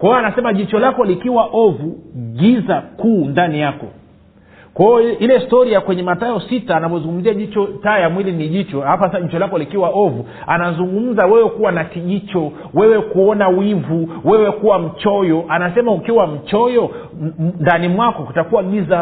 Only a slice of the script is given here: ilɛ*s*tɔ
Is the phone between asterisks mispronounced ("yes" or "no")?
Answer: no